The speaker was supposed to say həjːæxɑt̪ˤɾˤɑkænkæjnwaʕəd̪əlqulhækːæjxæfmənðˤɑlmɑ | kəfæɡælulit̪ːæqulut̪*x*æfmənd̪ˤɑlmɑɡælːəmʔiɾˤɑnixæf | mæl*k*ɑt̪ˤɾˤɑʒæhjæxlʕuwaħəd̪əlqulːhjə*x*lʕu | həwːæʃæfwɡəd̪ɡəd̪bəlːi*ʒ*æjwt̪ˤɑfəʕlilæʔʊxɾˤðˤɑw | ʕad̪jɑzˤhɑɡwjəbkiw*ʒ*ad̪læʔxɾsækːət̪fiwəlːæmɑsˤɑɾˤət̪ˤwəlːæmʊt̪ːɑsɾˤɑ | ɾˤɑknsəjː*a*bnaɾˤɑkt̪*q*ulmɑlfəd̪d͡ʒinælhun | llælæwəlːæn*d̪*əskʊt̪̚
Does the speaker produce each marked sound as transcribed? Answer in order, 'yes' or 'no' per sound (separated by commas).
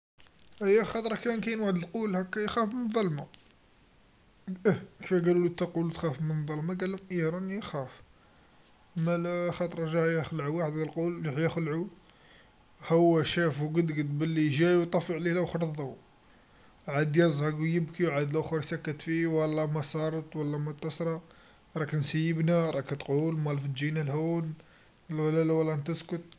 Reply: yes, no, yes, yes, no, no, yes, no